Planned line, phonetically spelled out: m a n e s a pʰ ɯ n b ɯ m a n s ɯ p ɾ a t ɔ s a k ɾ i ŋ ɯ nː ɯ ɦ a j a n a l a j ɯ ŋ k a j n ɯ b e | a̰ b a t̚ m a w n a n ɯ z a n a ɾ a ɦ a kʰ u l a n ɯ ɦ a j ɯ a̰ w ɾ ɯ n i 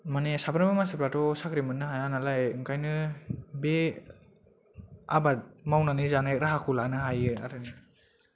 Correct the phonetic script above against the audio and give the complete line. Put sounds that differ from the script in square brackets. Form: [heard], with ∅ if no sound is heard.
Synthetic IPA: m a n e s a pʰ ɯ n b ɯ m a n s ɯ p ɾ a t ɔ s a k ɾ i [m] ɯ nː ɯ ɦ a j a n a l a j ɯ ŋ k a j n ɯ b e | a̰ b a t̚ m a w n a n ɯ z a n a ɾ a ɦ a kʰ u l a n ɯ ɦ a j ɯ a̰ [∅] ɾ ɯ n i